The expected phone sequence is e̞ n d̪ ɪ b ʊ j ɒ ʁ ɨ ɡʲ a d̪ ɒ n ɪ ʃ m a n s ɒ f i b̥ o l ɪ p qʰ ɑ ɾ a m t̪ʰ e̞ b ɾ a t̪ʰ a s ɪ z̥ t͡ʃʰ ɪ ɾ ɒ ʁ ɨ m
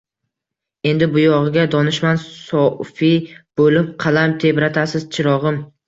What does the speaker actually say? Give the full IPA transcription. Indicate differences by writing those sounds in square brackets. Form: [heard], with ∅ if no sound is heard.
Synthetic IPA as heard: e̞ n d̪ ɪ b ʊ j ɒ ʁ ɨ ɡʲ a d̪ ɒ n ɪ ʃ m a n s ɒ f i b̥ o l ɪ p qʰ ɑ [l] a m t̪ʰ e̞ b ɾ a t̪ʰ a s ɪ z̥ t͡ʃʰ ɪ ɾ ɒ ʁ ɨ m